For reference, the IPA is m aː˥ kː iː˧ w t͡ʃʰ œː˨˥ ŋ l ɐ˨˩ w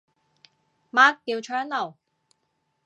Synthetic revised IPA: m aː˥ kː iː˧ w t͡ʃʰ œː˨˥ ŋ l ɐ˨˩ w

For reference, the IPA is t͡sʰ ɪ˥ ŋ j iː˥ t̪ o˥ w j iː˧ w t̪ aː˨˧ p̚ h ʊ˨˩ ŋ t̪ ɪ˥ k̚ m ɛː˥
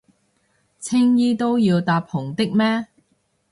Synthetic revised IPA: t͡sʰ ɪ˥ ŋ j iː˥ t̪ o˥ w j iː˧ w t̪ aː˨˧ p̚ h ʊ˨˩ ŋ t̪ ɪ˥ k̚ m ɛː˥

